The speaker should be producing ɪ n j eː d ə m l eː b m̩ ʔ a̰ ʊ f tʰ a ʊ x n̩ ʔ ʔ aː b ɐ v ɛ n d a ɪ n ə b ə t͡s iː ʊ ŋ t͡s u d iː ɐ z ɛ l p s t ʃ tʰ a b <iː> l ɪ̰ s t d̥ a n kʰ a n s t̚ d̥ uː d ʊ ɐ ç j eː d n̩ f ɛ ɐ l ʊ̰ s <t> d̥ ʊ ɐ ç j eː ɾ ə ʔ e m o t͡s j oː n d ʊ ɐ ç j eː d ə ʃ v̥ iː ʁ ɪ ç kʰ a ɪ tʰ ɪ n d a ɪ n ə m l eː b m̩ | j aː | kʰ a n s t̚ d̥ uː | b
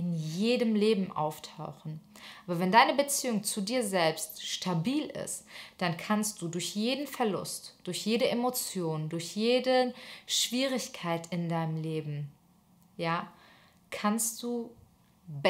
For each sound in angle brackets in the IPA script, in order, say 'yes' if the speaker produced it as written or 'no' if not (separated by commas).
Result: yes, yes